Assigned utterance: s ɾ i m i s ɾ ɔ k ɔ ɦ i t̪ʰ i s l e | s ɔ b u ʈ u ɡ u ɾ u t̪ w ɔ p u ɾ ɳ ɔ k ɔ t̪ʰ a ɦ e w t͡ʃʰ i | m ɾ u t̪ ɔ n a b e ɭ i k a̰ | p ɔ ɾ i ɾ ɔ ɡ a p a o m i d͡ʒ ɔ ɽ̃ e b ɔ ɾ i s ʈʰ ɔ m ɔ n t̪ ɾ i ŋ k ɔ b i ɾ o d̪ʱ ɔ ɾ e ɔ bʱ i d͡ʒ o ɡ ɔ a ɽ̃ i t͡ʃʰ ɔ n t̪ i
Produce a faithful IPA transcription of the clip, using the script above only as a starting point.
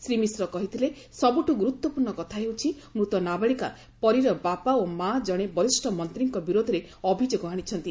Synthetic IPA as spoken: s ɾ i m i s ɾ ɔ k ɔ ɦ i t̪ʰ i l e | s ɔ b u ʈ u ɡ u ɾ u t̪ w ɔ p u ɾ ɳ ɔ k ɔ t̪ʰ a ɦ e w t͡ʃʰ i | m ɾ u t̪ ɔ n a b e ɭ i k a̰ | p ɔ ɾ i ɾ ɔ b a p a o m a d͡ʒ ɔ ɽ̃ e b ɔ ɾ i s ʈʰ ɔ m ɔ n t̪ ɾ i ŋ k ɔ b i ɾ o d̪ʱ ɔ ɾ e ɔ bʱ i d͡ʒ o ɡ ɔ a ɽ̃ i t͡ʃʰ ɔ n t̪ i